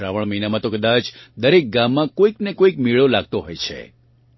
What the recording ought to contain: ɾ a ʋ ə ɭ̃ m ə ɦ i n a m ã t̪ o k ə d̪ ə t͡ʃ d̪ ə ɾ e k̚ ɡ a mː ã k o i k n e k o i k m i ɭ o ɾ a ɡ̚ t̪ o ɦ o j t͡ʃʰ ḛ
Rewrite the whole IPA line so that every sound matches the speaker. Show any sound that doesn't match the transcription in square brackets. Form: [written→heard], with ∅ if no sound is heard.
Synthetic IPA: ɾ a ʋ ə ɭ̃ m ə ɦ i n a m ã t̪ o k ə d̪ [ə→a] t͡ʃ d̪ ə ɾ e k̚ ɡ a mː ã k o i k n e k o i k m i ɭ o [ɾ→l] a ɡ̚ t̪ o ɦ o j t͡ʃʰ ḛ